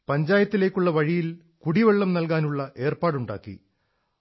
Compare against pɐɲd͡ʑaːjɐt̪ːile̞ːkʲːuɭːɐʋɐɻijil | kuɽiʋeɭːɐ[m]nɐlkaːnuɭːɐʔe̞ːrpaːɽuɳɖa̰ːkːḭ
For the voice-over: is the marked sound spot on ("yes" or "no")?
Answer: yes